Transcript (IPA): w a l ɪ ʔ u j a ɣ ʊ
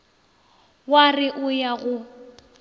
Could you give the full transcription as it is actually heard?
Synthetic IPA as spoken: w a r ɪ ʔ ʊ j a ɣ ʊ